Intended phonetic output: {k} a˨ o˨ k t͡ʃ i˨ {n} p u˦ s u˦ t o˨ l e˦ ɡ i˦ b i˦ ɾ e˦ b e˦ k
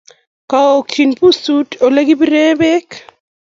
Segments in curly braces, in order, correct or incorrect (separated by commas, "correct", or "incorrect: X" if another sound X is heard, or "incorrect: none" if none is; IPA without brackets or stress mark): correct, correct